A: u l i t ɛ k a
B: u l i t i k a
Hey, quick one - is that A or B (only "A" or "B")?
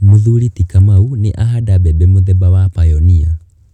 B